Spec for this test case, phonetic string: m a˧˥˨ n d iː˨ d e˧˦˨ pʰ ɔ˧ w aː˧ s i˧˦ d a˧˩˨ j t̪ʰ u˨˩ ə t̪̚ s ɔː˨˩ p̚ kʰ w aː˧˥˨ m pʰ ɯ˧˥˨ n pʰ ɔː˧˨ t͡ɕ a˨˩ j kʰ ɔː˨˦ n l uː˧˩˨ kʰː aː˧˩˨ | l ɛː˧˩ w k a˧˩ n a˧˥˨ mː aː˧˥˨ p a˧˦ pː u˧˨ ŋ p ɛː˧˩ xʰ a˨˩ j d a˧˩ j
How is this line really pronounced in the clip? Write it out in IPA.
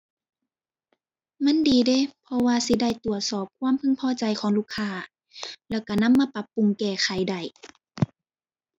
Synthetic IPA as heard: m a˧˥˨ n d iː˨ d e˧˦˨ pʰ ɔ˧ w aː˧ s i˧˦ d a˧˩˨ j t̪ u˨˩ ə t̪̚ s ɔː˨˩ p̚ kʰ w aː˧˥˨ m pʰ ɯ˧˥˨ ŋ pʰ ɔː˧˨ t͡ɕ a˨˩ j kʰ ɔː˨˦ ŋ l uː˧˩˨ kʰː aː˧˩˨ | l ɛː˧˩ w k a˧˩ n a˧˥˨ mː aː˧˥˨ p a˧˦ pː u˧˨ ŋ k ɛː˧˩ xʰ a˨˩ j d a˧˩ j